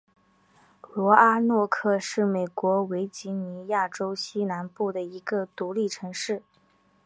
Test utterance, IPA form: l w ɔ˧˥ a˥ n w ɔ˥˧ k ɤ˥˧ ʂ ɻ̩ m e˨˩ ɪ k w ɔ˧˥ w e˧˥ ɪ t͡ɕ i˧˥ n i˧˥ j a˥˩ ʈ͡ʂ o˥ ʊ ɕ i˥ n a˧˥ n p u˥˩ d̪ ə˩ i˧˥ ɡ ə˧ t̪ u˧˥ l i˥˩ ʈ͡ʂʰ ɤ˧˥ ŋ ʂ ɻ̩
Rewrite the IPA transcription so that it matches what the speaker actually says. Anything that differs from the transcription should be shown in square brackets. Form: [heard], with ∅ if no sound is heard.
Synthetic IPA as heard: l w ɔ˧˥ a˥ n w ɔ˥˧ [kʰ] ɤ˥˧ ʂ ɻ̩ m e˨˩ ɪ k w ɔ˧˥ w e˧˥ ɪ t͡ɕ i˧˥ n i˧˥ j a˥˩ ʈ͡ʂ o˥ ʊ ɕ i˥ n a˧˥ n p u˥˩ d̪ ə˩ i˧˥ ɡ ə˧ t̪ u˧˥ l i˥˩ ʈ͡ʂʰ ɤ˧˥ ŋ ʂ ɻ̩

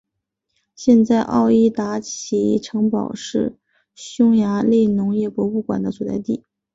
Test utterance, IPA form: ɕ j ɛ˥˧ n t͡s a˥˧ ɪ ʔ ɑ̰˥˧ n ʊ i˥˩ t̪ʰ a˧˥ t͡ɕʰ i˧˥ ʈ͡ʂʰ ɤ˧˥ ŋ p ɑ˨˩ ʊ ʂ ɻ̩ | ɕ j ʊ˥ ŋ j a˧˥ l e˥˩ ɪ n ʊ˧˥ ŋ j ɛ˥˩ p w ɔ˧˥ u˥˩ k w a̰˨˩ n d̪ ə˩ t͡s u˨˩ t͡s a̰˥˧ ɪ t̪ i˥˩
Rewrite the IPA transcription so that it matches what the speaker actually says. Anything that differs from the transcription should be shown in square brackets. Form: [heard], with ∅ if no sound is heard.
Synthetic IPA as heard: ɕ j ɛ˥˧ n t͡s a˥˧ ɪ ʔ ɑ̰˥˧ [∅] ʊ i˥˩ [t̪] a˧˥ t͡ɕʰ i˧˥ ʈ͡ʂʰ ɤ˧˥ ŋ p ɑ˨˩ ʊ ʂ ɻ̩ | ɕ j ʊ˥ ŋ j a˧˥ l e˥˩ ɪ n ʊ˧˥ ŋ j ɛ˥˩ p w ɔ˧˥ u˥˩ k w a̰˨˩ n d̪ [ə˦] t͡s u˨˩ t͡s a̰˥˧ ɪ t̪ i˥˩

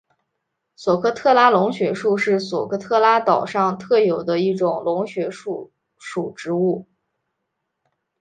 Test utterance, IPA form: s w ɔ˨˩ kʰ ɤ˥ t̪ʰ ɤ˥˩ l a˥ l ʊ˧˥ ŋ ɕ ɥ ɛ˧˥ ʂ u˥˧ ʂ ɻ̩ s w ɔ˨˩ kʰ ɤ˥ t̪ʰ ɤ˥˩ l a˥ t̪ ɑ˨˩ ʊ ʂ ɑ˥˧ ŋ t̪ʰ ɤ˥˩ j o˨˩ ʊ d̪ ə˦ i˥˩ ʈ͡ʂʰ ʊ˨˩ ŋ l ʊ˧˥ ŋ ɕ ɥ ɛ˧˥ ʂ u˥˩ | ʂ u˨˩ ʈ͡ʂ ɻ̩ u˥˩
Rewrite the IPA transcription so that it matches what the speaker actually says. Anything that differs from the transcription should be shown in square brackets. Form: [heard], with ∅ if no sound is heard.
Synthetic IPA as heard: s w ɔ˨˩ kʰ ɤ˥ t̪ʰ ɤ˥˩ l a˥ l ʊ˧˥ ŋ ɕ ɥ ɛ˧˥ ʂ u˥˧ ʂ ɻ̩ s w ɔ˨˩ kʰ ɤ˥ t̪ʰ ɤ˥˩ l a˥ t̪ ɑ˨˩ ʊ ʂ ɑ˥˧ ŋ t̪ʰ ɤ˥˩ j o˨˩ ʊ d̪ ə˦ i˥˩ [ʈ͡ʂ] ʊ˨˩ ŋ l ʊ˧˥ ŋ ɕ ɥ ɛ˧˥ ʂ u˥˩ | ʂ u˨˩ ʈ͡ʂ ɻ̩ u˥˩

